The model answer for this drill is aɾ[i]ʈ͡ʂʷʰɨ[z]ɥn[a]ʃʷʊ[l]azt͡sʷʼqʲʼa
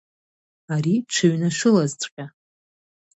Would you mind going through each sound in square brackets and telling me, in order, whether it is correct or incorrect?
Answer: correct, incorrect: none, correct, correct

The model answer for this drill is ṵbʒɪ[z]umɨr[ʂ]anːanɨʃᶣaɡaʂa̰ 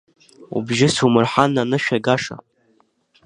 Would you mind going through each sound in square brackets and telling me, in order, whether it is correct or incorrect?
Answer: incorrect: s, incorrect: ħ

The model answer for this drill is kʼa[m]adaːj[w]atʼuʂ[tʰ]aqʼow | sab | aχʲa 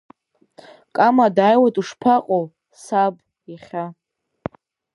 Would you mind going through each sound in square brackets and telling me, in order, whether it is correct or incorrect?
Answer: correct, correct, incorrect: pʰ

